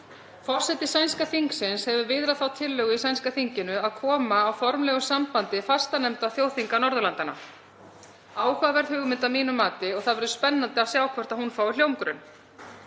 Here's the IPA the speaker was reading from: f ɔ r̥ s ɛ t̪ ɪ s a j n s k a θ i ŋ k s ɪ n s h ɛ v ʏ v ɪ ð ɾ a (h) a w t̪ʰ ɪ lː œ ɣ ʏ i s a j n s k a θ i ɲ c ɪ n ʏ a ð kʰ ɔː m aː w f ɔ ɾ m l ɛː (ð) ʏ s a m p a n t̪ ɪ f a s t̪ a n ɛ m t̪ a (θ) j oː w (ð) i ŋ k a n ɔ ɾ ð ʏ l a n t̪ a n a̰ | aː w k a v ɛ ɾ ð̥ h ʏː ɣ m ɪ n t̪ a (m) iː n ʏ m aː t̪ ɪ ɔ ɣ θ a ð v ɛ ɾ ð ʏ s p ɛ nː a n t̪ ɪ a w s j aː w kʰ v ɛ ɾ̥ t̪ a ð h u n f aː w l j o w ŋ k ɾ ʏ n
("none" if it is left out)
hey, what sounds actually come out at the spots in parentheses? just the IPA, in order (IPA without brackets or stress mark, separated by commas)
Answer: θ, ɣ, θ, θ, m